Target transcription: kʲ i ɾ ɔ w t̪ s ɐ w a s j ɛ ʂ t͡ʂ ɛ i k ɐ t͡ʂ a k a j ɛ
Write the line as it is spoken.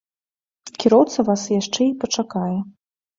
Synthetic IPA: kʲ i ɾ ɔ w t̪ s ɐ v a s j a ʂ t͡ʂ ɛ i p ɐ t͡ʂ a k a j ɛ

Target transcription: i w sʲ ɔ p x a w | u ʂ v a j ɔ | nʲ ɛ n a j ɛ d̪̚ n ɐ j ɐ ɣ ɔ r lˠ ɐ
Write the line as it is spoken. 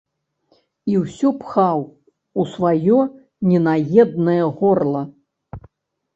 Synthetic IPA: i w sʲ ɔ p x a w | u s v a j ɔ | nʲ ɛ n a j ɛ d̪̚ n ɐ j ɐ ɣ ɔ r lˠ ɐ

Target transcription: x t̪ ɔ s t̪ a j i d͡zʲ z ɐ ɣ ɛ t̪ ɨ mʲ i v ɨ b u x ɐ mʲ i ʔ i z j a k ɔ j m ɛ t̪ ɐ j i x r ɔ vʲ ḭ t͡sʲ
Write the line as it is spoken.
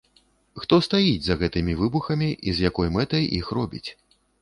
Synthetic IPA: x t̪ ɔ s t̪ a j i d͡zʲ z ɐ ɣ ɛ t̪ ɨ mʲ i v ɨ b u x ɐ mʲ i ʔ i z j a k ɔ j m ɛ t̪ ɐ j i x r ɔ bʲ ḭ t͡sʲ

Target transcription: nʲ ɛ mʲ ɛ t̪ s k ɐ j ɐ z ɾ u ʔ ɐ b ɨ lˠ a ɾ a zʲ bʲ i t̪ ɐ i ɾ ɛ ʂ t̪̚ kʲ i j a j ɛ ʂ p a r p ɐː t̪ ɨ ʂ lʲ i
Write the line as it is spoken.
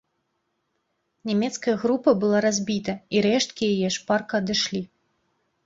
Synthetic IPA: nʲ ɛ mʲ ɛ t̪ s k ɐ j ɐ ɣ ɾ u p ɐ b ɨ lˠ a ɾ a zʲ bʲ i t̪ ɐ i ɾ ɛ ʂ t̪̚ kʲ i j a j ɛ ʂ p a r k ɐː d̪ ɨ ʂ lʲ i

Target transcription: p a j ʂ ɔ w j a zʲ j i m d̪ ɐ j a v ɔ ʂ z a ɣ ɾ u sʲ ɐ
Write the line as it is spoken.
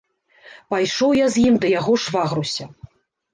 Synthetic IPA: p a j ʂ ɔ w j a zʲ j i m d̪ ɐ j a ɣ ɔ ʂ v a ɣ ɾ u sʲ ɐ

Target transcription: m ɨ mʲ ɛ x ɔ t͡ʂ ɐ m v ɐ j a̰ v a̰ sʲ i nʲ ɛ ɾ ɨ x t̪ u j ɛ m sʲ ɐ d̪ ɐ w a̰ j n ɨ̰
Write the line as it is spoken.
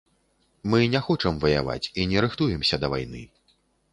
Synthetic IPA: m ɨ nʲ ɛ x ɔ t͡ʂ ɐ m v ɐ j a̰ v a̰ t͡sʲ i nʲ ɛ ɾ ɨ x t̪ u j ɛ m sʲ ɐ d̪ ɐ v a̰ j n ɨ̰

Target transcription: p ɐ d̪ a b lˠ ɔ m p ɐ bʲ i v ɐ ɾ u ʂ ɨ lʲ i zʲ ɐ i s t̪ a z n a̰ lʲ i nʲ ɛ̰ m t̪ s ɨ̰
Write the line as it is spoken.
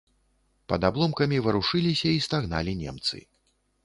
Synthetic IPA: p ɐ d̪ a b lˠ ɔ m k ɐ mʲ i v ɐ ɾ u ʂ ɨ lʲ i sʲ ɐ i s t̪ a ɣ n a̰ lʲ i nʲ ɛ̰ m t̪ s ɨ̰

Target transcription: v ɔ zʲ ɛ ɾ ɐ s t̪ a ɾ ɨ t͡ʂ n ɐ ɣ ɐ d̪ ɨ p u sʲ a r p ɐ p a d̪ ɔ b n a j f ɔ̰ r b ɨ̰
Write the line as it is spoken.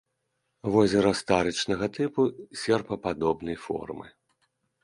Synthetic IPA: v ɔ zʲ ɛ ɾ ɐ s t̪ a ɾ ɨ t͡ʂ n ɐ ɣ ɐ t̪ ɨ p u sʲ ɛ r p ɐ p a d̪ ɔ b n ɐ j f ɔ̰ r m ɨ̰

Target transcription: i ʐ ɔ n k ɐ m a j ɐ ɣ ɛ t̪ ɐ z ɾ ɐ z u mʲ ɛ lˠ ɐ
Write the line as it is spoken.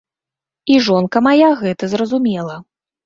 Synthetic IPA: i ʐ ɔ n k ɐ m a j a ɣ ɛ t̪ ɐ z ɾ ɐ z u mʲ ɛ lˠ ɐ

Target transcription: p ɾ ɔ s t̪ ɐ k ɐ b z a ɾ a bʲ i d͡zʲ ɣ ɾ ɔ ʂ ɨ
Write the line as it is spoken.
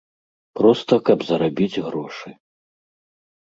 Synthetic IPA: p ɾ ɔ s t̪ ɐ k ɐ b z ɐ ɾ a bʲ i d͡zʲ ɣ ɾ ɔ ʂ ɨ

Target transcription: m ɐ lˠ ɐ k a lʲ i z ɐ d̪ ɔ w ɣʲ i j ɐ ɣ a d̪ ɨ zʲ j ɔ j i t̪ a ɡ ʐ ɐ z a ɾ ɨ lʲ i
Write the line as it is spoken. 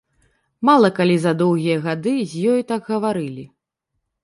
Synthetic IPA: m a lˠ ɐ k a lʲ i z ɐ d̪ ɔ w ɣʲ i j ɐ ɣ a d̪ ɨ zʲ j ɔ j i t̪ a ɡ ɣ ɐ v a ɾ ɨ lʲ i

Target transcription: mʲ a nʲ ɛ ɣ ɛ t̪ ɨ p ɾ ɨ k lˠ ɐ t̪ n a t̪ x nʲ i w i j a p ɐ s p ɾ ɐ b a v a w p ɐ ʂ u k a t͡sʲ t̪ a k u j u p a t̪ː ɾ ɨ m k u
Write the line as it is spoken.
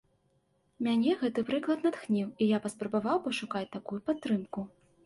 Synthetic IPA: mʲ a nʲ ɛ ɣ ɛ t̪ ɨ p ɾ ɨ k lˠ ɐ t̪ n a t̪ x nʲ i w i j a p ɐ s p ɾ ɐ b a v a w p ɐ ʂ u k a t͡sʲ t̪ a k u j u p a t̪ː ɾ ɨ m k u

